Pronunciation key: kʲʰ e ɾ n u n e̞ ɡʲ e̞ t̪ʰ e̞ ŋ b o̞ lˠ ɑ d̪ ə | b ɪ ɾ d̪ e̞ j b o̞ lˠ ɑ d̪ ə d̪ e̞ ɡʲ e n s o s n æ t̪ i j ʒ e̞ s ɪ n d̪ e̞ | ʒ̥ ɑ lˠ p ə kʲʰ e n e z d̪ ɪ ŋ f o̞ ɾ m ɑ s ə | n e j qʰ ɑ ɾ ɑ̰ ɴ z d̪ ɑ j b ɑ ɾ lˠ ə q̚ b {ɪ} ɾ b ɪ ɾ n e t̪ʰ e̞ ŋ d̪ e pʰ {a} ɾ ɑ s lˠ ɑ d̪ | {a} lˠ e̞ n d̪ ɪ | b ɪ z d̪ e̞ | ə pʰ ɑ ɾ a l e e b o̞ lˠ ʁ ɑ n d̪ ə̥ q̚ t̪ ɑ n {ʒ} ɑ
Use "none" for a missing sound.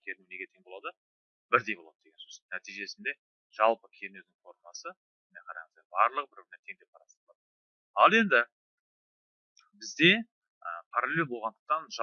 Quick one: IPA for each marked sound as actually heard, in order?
ɪ, ɑ, ɑ, ʒ

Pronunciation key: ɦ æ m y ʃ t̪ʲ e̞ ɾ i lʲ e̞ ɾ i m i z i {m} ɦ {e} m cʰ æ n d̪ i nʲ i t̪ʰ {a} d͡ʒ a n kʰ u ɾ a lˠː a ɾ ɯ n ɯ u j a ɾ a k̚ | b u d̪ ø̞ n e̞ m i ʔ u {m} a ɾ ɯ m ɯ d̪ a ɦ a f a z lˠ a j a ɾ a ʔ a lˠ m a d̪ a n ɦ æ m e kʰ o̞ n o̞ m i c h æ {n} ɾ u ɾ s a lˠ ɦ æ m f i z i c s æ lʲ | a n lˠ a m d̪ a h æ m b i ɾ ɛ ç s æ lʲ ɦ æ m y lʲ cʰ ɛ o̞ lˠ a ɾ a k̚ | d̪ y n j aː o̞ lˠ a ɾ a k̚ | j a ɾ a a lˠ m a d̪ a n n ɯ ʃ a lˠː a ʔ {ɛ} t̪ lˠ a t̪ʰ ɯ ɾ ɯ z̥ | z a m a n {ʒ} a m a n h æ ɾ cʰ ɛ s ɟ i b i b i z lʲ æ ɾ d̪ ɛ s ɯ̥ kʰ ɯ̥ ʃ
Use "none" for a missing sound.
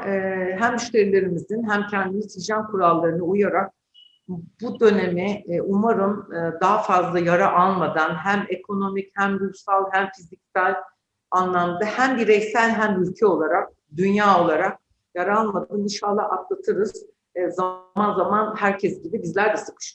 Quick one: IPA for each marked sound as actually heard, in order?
n, æ, i, m, m, a, z

